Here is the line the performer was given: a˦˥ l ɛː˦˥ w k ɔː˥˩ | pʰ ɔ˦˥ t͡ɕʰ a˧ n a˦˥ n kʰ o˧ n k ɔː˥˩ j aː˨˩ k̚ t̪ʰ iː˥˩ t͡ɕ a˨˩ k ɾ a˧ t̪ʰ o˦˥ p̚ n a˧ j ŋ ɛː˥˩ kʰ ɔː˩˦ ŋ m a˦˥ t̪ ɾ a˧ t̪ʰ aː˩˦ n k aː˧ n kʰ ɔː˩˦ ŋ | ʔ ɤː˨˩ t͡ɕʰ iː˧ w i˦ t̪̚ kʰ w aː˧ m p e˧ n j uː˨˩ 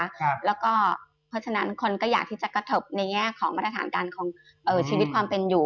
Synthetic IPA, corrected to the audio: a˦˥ l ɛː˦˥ w k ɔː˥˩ | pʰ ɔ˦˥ t͡ɕʰ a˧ n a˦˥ n kʰ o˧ n k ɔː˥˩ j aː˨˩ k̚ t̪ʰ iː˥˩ t͡ɕ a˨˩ k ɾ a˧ t̪ʰ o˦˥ p̚ n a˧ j ŋ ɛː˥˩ kʰ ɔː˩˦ ŋ m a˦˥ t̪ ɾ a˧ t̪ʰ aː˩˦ n k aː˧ n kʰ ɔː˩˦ ŋ | ʔ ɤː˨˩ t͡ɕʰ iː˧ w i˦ t̪̚ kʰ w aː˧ m p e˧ n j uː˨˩